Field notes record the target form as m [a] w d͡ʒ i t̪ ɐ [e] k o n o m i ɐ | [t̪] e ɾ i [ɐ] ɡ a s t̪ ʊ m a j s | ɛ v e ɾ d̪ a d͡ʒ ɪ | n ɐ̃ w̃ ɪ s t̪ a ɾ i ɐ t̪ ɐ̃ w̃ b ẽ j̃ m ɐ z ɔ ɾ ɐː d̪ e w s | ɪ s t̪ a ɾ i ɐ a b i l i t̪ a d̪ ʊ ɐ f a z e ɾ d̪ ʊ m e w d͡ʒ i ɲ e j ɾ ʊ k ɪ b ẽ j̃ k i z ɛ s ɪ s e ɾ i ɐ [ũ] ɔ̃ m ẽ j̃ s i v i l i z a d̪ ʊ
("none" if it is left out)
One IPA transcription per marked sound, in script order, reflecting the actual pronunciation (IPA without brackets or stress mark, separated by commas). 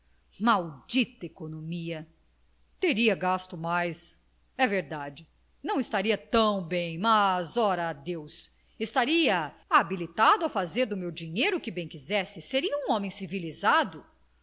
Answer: a, e, t̪, ɐ, ũ